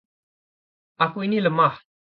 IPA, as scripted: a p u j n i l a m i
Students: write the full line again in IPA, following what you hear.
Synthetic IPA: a k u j n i l ə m a